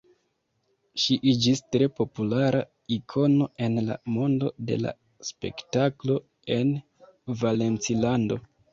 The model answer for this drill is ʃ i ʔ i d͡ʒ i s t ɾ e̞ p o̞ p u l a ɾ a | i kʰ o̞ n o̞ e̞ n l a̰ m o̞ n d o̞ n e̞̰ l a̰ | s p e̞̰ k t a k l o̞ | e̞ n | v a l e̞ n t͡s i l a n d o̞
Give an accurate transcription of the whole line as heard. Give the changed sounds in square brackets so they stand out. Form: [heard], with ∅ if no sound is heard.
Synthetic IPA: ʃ i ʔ i d͡ʒ i s t ɾ e̞ p o̞ p u l a ɾ a | i kʰ o̞ n o̞ e̞ n l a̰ m o̞ n d o̞ [d] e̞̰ l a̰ | s p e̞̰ k t a k l o̞ | e̞ n | v a l e̞ n t͡s i l a n d o̞

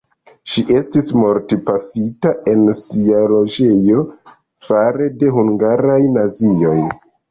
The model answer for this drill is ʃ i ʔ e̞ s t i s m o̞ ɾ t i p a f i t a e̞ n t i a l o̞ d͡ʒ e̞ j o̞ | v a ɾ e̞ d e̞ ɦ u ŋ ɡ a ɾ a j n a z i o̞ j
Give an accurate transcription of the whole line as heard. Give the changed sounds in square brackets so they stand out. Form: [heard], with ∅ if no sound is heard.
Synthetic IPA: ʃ i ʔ e̞ s t i s m o̞ ɾ t i p a f i t a e̞ n [s] i a l o̞ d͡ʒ e̞ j o̞ | [f] a ɾ e̞ d e̞ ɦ u ŋ ɡ a ɾ a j n a z i o̞ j

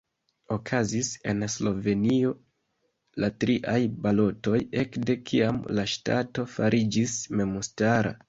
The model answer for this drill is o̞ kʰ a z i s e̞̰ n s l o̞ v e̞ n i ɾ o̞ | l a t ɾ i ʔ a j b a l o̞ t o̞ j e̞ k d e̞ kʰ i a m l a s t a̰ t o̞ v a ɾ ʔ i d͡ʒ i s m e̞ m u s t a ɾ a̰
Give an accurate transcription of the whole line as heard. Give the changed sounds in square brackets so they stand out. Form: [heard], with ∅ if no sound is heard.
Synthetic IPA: o̞ kʰ a z i s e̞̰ n s l o̞ v e̞ n i [∅] o̞ | l a t ɾ i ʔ a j b a l o̞ t o̞ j e̞ k d e̞ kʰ i a m l a [ʃ] t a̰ t o̞ [f] a ɾ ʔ i d͡ʒ i s m e̞ m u s t a ɾ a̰

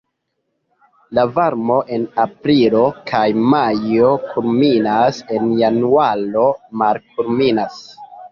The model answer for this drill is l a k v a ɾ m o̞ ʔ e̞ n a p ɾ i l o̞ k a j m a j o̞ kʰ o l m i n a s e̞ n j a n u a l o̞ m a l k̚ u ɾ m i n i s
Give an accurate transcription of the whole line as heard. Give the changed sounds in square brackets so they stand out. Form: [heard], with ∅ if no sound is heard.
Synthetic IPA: l a [∅] v a ɾ m o̞ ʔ e̞ n a p ɾ i l o̞ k a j m a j o̞ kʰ [u] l m i n a s e̞ n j a n u a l o̞ m a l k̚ u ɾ m i n [a] s

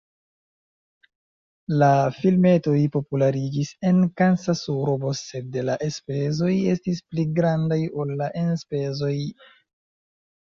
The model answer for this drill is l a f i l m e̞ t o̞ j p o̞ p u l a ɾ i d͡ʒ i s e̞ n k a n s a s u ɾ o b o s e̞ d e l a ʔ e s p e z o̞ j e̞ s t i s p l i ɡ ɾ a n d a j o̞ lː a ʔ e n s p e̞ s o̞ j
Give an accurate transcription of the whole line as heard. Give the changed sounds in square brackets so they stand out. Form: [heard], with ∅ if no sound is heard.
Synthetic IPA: l a f i l m e̞ t o̞ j p o̞ p u l a ɾ i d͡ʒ i s e̞ n k a n s a s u ɾ o b o s e̞ d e l a ʔ e s p e z o̞ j e̞ s t i s p l i ɡ ɾ a n d a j o̞ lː a ʔ e n s p e̞ [z] o̞ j

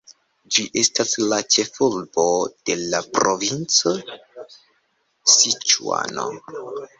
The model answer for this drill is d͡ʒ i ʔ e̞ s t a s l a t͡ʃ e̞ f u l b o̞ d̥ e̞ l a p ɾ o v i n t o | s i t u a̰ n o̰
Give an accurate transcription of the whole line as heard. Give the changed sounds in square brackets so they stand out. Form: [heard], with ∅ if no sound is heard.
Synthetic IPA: d͡ʒ i ʔ e̞ s t a s l a t͡ʃ e̞ f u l b o̞ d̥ e̞ l a p ɾ o v i n [t͡s] o | s i [t͡ʃ] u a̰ n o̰

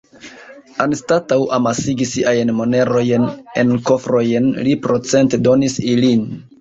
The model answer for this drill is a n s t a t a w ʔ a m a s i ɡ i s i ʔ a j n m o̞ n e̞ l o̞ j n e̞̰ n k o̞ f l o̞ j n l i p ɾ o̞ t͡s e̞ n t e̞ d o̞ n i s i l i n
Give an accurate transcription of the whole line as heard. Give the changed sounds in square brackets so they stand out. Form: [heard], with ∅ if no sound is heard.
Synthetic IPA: a n s t a t a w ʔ a m a s i ɡ i s i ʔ a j n m o̞ n e̞ [ɾ] o̞ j n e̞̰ n k o̞ f [ɾ] o̞ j n l i p ɾ o̞ t͡s e̞ n t e̞ d o̞ n i s i l i n

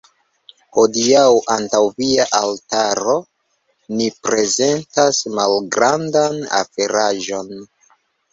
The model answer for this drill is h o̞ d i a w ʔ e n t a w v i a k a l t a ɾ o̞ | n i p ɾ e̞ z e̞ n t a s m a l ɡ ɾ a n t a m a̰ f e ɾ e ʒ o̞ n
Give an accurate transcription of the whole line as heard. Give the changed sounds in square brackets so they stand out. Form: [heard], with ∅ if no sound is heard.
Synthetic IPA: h o̞ d i a w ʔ [a] n t a w v i a [ʔ] a l t a ɾ o̞ | n i p ɾ e̞ z e̞ n t a s m a l ɡ ɾ a n [d] a [n] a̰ f e ɾ [a] ʒ o̞ n

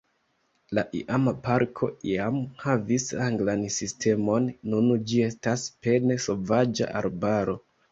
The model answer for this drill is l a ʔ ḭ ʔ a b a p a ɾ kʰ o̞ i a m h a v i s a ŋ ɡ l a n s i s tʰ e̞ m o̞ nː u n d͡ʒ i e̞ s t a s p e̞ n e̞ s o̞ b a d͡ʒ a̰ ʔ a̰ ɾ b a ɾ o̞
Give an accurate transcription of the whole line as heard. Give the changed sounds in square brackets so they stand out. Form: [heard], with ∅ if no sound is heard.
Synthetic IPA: l a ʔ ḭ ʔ a [m] a p a ɾ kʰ o̞ i a m h a v i s a ŋ ɡ l a n s i s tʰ e̞ m o̞ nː u n d͡ʒ i e̞ s t a s p e̞ n e̞ s o̞ [v] a d͡ʒ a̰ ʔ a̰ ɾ b a ɾ o̞

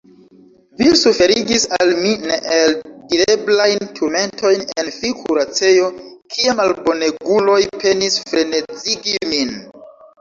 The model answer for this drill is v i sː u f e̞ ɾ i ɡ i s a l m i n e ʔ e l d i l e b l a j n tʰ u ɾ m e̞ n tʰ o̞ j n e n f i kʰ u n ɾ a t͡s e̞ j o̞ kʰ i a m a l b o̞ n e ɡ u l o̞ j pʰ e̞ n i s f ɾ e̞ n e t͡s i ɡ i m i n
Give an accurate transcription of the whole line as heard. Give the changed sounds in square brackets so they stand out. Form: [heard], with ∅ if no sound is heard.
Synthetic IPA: v i [s] u f e̞ ɾ i ɡ i s a l m i n e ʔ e l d i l e b l a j n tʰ u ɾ m e̞ n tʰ o̞ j n e n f i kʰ u [∅] ɾ a t͡s e̞ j o̞ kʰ i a m a l b o̞ n e ɡ u l o̞ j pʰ e̞ n i s f ɾ e̞ n e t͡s i ɡ i m i n

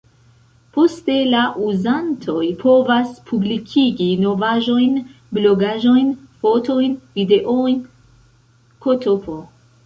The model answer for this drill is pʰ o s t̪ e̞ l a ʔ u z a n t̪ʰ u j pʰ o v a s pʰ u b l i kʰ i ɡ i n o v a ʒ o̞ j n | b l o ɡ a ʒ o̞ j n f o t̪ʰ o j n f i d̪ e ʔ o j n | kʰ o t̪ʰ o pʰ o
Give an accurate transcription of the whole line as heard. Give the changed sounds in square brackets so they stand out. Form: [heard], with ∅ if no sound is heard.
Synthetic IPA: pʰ o s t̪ e̞ l a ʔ u z a n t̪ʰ [o] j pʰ o v a s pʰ u b l i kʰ i ɡ i n o v a ʒ o̞ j n | b l o ɡ a ʒ o̞ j n f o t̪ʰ o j n [v] i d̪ e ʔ o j n | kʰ o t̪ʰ o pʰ o

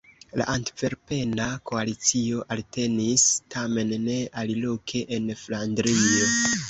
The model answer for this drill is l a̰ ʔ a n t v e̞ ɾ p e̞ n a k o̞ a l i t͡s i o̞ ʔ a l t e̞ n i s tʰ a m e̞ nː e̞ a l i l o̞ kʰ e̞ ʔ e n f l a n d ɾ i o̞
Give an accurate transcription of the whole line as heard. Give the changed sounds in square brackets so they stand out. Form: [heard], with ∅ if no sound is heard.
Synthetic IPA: l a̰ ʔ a n t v e̞ ɾ p e̞ n a k o̞ a l i t͡s i o̞ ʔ a l t e̞ n i s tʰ a m e̞ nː e̞ a l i l o̞ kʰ e̞ ʔ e n f l a n d ɾ i o̞

